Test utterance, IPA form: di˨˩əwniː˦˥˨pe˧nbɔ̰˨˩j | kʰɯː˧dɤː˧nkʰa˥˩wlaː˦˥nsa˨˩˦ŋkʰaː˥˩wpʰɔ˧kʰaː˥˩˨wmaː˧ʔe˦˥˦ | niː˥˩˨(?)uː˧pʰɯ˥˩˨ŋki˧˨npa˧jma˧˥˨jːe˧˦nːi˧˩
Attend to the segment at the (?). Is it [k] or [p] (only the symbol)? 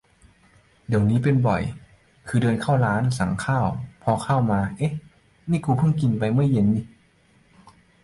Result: k